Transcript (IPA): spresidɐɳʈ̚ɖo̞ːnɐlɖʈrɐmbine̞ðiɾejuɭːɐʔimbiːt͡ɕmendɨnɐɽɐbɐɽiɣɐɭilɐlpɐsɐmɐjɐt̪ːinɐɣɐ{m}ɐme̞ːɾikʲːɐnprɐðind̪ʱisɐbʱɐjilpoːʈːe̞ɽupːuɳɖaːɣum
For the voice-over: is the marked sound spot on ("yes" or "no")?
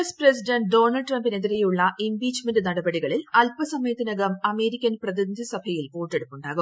yes